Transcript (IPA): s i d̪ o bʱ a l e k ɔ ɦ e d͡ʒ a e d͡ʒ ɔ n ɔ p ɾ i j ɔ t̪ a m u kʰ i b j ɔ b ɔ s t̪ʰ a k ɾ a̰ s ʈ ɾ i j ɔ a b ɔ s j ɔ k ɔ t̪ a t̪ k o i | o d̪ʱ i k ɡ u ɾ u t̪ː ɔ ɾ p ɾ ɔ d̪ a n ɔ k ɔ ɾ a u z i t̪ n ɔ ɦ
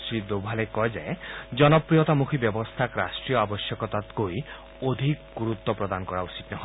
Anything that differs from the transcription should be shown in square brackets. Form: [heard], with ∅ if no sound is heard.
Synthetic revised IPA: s i d̪ o bʱ a l e k ɔ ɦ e d͡ʒ a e d͡ʒ ɔ n ɔ p ɾ i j ɔ t̪ a m u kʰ i b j ɔ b ɔ s t̪ʰ a k ɾ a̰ s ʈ ɾ i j ɔ a b ɔ s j ɔ k ɔ t̪ a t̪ k o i | o d̪ʱ i k ɡ u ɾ u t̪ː ɔ [∅] p ɾ ɔ d̪ a n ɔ k ɔ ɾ a u [s] i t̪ n ɔ ɦ